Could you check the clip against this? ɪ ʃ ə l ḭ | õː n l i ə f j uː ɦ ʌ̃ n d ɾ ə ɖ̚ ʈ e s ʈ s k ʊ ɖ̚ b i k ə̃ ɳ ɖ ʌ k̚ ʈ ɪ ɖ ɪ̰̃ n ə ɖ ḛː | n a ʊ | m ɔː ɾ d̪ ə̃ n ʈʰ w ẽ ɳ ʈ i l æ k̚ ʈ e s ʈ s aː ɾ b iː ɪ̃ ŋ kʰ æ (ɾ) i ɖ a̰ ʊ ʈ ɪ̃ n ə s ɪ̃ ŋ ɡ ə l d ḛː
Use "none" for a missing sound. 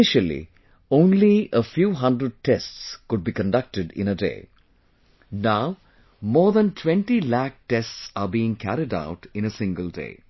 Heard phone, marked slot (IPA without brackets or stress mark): ɾ